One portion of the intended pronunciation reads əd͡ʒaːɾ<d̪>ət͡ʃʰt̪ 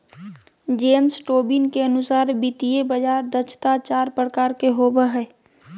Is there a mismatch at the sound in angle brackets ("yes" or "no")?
no